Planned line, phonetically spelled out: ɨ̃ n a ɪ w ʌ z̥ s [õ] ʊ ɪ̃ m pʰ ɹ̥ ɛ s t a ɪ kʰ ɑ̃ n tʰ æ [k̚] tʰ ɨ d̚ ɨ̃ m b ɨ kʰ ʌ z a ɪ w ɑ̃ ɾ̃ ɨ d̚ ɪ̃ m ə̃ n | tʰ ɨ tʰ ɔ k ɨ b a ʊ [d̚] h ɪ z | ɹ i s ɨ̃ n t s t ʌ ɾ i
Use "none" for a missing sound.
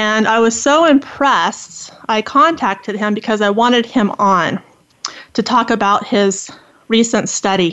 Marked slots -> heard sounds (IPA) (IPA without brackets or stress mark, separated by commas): o, k̚, t̚